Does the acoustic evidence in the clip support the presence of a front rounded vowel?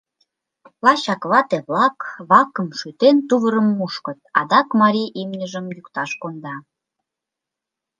yes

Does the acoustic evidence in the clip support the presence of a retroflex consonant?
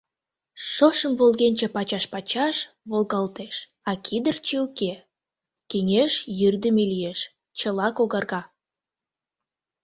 no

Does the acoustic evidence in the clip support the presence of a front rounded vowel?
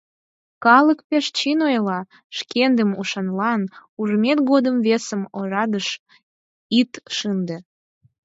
no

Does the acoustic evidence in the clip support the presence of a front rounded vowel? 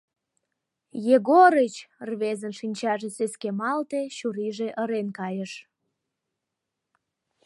no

